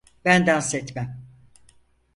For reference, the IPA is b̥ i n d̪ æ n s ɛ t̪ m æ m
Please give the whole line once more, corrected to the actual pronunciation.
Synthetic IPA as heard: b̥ æ n d̪ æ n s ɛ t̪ m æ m